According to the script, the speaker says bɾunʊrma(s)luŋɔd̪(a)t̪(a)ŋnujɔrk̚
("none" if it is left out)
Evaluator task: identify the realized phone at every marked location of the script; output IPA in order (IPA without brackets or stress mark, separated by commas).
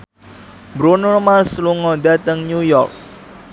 s, a, ə